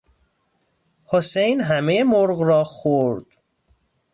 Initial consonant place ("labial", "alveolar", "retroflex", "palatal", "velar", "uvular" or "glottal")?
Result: glottal